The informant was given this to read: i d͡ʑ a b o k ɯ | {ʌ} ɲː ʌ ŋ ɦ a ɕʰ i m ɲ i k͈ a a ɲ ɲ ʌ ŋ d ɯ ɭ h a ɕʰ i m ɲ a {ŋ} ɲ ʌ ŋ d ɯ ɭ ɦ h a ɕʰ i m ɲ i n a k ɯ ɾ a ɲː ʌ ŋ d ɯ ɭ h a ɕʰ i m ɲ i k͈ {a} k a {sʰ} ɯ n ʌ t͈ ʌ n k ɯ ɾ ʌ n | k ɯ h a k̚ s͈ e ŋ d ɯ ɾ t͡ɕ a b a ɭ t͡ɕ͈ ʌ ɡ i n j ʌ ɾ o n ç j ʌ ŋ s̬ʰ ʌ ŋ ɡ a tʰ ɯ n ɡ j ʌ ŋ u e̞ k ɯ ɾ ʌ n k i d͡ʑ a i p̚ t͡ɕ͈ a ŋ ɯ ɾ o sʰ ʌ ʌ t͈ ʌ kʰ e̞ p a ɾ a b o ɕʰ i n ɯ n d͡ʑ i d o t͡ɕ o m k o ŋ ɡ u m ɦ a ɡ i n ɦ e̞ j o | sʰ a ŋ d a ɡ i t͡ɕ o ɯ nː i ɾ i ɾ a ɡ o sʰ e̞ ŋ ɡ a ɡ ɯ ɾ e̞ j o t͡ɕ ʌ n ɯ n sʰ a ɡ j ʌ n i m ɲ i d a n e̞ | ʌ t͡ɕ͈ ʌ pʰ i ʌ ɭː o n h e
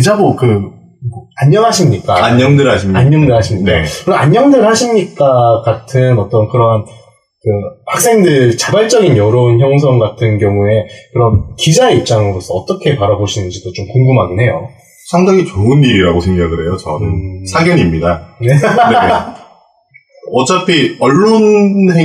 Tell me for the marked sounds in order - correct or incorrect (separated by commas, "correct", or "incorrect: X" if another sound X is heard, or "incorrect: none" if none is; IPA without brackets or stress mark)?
incorrect: a, incorrect: ɲ, correct, incorrect: tʰ